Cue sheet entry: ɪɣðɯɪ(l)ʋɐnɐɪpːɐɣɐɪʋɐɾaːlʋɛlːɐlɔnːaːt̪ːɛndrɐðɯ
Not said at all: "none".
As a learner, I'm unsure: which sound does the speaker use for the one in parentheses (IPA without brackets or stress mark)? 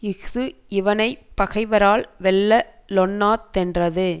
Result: none